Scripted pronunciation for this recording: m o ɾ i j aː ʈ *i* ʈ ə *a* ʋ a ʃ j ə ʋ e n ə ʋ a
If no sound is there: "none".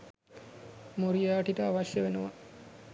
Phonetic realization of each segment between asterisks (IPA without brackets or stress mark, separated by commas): i, a